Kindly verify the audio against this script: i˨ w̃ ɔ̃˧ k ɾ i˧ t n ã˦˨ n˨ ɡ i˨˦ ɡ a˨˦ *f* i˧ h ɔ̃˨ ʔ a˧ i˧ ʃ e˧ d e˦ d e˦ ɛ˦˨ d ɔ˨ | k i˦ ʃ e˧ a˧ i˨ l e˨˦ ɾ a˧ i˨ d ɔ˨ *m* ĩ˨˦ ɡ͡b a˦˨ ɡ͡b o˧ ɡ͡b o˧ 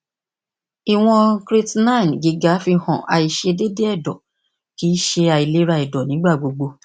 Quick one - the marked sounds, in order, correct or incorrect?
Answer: correct, incorrect

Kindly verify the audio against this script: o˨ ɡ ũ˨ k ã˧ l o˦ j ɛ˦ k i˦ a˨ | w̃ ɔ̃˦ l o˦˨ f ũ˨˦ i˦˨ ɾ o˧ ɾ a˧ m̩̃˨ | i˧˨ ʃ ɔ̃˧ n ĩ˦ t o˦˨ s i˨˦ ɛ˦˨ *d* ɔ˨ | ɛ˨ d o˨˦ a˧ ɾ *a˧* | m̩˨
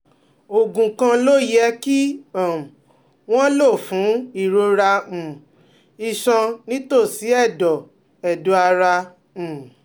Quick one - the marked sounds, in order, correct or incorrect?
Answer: correct, correct

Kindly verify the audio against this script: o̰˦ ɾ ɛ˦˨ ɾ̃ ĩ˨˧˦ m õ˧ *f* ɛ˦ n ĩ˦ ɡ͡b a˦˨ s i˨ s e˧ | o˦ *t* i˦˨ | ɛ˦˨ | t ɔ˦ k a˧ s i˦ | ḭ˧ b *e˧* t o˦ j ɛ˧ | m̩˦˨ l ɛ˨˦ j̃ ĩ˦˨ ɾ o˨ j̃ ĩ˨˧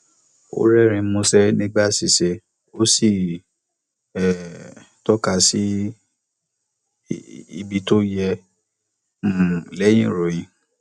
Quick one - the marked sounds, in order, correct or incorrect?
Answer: incorrect, incorrect, incorrect

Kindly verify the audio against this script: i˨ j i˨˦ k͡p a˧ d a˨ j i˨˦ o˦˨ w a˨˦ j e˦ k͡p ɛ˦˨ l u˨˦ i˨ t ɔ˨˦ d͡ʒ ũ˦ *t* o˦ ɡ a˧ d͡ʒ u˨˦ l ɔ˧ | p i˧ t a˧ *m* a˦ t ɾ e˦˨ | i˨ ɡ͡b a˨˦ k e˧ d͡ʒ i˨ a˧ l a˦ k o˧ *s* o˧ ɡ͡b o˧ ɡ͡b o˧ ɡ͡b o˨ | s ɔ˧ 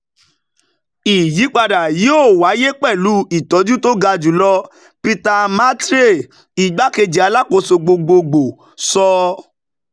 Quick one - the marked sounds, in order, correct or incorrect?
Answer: correct, correct, correct

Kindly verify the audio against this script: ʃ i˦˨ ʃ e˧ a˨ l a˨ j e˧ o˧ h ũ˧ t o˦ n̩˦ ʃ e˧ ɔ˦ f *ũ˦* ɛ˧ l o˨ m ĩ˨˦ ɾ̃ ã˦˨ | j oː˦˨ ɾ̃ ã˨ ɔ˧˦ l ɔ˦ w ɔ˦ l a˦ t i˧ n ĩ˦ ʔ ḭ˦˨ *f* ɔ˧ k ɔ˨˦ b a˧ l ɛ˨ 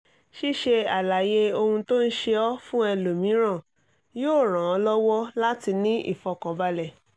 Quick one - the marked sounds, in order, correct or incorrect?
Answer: correct, correct

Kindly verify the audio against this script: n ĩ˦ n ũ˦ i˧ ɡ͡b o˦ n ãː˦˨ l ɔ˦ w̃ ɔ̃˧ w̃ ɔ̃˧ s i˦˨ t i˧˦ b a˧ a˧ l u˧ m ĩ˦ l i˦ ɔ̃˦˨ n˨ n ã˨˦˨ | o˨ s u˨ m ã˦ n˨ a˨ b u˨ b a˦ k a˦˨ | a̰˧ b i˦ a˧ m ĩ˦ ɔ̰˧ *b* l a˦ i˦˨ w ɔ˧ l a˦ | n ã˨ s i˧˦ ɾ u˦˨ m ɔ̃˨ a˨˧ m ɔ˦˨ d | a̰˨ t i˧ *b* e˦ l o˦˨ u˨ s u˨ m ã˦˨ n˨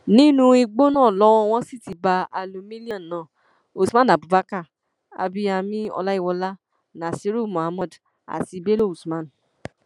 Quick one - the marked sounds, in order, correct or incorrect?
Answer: incorrect, correct

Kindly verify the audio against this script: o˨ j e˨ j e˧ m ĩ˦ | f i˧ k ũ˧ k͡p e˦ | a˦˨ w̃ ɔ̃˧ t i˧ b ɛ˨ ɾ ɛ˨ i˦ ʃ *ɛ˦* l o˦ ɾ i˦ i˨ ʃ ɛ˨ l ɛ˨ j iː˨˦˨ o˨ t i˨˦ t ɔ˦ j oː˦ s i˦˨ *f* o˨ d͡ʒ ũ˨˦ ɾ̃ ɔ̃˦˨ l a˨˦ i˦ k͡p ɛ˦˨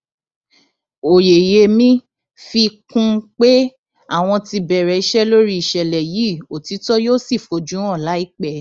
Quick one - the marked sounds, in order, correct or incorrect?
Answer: correct, correct

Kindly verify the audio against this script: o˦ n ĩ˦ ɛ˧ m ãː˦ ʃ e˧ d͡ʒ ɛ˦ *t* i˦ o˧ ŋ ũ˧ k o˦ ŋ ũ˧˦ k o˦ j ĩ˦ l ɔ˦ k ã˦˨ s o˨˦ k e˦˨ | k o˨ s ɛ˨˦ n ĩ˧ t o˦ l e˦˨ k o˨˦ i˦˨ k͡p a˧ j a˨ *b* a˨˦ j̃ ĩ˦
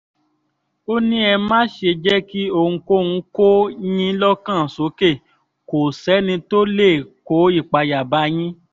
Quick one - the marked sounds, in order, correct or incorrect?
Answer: incorrect, correct

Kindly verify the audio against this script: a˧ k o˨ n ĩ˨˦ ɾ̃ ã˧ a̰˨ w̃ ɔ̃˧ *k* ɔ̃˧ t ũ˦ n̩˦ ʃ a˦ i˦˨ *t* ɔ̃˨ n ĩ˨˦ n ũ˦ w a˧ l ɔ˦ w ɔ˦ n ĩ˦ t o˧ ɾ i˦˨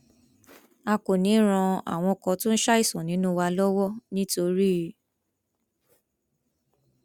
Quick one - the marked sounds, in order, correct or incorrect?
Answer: correct, incorrect

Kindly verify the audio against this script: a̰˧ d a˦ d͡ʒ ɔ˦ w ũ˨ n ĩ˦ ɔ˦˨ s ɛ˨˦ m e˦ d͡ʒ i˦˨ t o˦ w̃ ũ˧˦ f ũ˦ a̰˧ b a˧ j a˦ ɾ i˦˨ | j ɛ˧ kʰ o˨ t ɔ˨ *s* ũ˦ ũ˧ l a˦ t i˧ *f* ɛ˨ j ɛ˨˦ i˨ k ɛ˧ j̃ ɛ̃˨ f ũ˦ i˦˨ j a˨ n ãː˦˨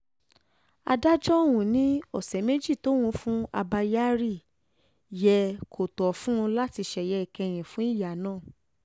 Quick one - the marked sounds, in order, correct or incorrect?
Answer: incorrect, incorrect

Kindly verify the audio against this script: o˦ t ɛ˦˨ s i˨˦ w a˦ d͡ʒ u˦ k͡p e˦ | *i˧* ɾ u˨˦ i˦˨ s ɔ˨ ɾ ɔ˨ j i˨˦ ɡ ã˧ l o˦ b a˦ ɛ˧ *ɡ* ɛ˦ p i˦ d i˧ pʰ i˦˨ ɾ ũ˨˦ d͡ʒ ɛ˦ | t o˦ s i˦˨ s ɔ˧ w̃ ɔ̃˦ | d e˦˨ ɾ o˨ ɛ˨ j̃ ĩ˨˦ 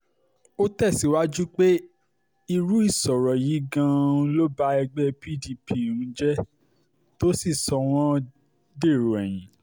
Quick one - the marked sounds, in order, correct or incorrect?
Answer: correct, incorrect

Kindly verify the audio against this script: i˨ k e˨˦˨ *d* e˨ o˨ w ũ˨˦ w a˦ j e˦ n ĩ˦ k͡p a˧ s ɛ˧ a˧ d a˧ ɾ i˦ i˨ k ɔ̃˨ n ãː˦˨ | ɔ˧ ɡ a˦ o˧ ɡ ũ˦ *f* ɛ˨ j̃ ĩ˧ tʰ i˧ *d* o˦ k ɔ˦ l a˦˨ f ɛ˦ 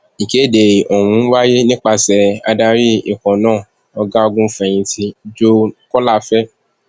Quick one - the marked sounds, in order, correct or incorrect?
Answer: correct, correct, incorrect

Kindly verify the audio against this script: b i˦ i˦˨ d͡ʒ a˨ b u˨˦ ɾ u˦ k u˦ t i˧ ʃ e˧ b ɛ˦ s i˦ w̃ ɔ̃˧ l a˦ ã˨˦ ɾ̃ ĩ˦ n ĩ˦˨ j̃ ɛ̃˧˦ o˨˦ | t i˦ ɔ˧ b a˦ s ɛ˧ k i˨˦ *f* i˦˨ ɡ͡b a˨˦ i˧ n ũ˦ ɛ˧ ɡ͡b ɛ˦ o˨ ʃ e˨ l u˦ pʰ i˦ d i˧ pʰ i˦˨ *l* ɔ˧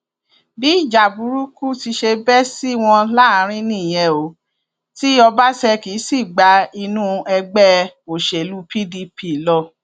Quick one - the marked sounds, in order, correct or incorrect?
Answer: incorrect, correct

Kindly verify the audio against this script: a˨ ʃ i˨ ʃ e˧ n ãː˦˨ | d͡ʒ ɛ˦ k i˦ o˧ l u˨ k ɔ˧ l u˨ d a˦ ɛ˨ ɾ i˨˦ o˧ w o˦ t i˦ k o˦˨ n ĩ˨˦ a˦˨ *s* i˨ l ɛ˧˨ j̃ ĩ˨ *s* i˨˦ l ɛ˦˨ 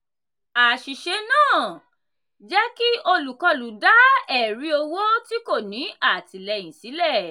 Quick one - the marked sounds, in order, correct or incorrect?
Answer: incorrect, correct

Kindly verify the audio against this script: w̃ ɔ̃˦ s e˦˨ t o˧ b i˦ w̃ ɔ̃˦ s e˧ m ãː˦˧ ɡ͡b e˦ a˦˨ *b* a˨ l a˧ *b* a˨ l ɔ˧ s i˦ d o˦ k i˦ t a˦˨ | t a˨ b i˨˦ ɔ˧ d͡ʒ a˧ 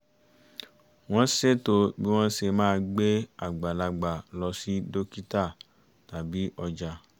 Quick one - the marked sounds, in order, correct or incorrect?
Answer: incorrect, incorrect

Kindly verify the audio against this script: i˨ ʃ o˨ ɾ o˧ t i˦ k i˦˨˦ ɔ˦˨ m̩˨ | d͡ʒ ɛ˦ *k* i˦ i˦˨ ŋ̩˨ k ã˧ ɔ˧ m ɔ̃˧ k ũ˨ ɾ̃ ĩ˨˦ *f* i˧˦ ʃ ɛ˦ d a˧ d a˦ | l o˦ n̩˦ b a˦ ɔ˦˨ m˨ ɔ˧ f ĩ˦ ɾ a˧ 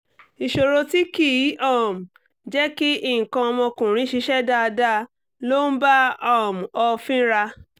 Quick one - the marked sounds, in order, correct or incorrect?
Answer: correct, incorrect

